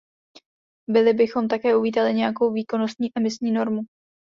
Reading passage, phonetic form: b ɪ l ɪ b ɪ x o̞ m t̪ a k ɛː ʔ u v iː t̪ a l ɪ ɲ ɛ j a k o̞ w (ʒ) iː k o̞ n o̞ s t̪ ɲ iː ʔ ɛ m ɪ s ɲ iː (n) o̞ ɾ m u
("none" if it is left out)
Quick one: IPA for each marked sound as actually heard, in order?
v, n

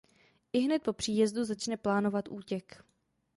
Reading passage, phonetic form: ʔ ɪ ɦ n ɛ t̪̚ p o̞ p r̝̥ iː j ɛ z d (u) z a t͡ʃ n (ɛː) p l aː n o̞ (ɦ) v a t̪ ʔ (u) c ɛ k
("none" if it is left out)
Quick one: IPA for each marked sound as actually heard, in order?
u, ɛ, none, uː

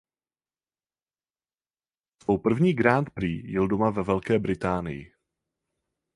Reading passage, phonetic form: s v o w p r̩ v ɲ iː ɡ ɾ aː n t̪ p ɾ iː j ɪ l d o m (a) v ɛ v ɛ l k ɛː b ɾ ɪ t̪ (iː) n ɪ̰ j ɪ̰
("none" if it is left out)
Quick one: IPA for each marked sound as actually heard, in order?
a, aː

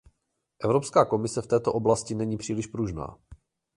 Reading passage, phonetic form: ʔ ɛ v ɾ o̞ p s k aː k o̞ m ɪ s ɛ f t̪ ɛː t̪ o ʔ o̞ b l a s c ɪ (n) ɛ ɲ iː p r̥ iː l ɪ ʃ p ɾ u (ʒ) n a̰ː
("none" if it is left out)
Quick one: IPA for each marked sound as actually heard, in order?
n, ʒ

